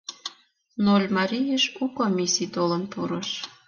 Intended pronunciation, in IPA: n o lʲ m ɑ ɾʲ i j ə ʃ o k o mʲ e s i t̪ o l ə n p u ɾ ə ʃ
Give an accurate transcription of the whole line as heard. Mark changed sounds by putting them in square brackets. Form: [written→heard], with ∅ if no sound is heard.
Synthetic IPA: n o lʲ m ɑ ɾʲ i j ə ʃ [o→u] k o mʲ [e→i] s i t̪ o l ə n p u ɾ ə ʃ